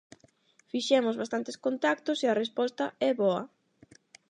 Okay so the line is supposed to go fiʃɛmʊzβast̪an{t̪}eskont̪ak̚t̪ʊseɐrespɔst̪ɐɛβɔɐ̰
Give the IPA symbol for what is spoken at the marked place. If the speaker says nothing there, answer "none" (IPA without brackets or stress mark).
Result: t̪